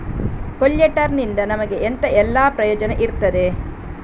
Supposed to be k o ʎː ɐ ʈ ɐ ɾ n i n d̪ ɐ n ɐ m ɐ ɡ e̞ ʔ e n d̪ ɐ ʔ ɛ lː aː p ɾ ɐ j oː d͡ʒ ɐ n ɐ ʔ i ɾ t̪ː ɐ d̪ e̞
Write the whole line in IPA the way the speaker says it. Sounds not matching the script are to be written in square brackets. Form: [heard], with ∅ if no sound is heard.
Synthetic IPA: k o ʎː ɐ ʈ ɐ ɾ n i n d̪ ɐ n ɐ m ɐ ɡ e̞ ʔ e n [t̪] ɐ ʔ ɛ lː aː p ɾ ɐ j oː d͡ʒ ɐ n ɐ ʔ i ɾ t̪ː ɐ d̪ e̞